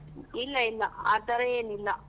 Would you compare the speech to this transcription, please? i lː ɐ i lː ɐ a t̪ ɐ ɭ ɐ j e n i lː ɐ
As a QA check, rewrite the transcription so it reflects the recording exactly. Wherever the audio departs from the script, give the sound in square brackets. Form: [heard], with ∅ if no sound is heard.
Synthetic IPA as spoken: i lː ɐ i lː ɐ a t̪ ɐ [ɾ] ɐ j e n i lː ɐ